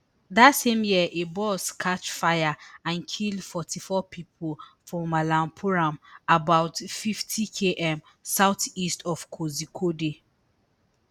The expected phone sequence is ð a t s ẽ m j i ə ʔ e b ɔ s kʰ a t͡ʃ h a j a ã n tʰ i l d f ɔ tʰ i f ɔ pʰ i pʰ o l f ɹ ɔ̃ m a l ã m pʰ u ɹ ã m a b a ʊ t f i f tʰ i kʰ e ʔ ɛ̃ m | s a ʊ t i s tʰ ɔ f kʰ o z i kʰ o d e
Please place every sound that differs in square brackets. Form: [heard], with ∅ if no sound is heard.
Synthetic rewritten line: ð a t s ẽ m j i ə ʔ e b ɔ s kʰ a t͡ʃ [f] a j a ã n [kʰ] i l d f ɔ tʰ i f ɔ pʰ i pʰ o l f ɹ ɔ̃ m a l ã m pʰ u ɹ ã m a b a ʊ t f i f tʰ i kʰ e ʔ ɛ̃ m | s a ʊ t i s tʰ ɔ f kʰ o z i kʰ o d e

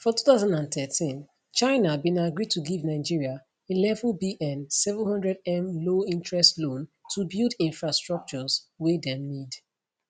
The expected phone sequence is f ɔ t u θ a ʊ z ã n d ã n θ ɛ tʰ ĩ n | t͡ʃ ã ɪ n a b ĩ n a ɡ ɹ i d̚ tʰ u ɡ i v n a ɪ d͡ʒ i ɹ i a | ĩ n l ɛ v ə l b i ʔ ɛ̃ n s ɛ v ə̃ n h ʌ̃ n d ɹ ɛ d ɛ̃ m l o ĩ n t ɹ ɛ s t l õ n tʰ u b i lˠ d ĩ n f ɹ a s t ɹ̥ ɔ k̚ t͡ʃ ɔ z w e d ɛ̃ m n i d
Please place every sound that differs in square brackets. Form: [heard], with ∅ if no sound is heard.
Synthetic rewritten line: f ɔ t u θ a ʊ z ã n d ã n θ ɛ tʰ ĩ n | t͡ʃ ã ɪ n a b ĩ n a ɡ ɹ i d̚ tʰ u ɡ i v n a ɪ d͡ʒ i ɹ i a | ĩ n l ɛ v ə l b i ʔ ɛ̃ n s ɛ v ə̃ n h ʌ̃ n d ɹ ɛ d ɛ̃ m l o ĩ n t ɹ ɛ s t l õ n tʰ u b i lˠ d ĩ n f ɹ a s t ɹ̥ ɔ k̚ t͡ʃ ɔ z w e d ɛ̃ m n i d

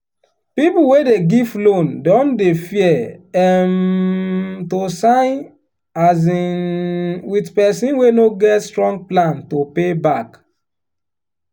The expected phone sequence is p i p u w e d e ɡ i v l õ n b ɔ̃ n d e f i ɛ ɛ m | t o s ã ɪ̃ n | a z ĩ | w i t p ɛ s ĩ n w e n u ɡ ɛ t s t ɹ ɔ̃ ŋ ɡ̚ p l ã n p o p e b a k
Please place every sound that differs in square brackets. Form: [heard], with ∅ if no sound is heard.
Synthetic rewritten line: p i p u w e d e ɡ i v l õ n [d] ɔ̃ n d e f i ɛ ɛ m | t o s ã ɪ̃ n | a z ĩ | w i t p ɛ s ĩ n w e n [o] ɡ ɛ t s t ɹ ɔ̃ ŋ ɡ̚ p l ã n [t] o p e b a k

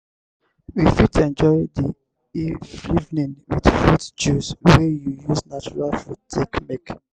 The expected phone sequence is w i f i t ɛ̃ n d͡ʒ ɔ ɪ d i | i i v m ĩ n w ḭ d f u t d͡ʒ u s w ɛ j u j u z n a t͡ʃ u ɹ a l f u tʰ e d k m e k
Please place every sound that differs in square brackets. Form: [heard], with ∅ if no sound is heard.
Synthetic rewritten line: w i f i t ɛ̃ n d͡ʒ ɔ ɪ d i | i i v [n] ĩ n w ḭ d f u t d͡ʒ u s w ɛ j u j u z n a t͡ʃ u ɹ a l f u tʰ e [∅] k m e k

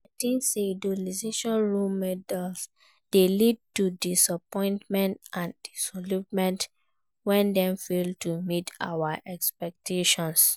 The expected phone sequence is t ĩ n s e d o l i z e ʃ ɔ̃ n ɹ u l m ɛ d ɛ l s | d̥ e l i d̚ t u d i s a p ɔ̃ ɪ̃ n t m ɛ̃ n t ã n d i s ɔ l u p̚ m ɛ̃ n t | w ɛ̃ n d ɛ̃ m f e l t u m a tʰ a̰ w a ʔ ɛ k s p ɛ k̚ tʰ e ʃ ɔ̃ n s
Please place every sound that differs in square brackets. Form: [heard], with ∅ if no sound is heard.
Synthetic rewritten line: t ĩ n s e d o l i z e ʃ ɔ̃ n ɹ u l m ɛ d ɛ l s | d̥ e l i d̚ t u d i s a p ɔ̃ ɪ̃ n t m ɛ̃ n t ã n d i s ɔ l u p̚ m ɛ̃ n t | w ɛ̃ n d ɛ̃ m f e l t u m [i] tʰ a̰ w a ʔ ɛ k s p ɛ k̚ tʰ e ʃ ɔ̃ n s

